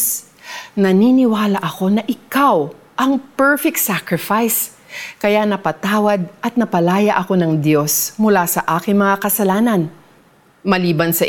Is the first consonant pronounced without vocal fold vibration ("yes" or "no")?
no